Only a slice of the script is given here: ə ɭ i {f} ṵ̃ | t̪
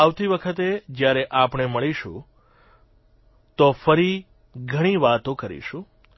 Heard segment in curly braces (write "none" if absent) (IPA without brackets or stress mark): ʃ